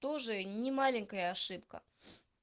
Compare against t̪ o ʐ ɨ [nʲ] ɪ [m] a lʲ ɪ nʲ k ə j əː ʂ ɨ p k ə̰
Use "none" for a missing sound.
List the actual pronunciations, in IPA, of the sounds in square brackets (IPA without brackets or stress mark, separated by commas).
nʲ, m